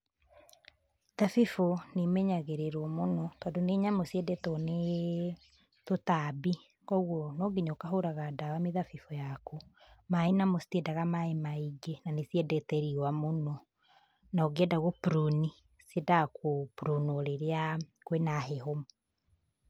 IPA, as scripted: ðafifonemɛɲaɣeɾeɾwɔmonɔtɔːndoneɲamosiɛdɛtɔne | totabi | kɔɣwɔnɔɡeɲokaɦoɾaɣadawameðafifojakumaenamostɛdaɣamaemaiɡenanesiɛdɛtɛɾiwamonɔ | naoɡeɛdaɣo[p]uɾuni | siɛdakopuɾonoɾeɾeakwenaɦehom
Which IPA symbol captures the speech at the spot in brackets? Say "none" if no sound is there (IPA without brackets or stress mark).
p